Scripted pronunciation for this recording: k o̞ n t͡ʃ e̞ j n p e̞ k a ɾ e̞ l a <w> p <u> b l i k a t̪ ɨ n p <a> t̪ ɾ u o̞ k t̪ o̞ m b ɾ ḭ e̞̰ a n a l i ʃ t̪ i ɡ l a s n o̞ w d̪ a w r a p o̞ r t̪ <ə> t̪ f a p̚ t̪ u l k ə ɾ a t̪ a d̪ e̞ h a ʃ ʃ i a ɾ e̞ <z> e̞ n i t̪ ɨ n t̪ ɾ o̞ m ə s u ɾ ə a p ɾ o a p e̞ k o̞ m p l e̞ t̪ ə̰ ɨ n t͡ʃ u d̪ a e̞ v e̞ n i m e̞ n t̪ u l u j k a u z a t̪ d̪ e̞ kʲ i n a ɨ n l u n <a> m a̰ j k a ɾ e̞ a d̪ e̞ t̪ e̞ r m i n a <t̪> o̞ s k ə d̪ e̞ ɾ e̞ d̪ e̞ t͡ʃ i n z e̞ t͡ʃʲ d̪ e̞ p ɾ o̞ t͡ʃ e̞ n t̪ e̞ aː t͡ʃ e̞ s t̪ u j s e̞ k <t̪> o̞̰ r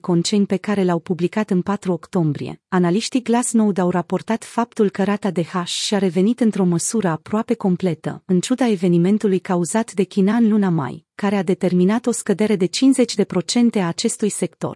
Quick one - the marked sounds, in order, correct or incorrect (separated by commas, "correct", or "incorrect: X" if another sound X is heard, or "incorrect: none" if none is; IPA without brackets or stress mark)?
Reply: correct, correct, correct, incorrect: a, incorrect: v, correct, correct, correct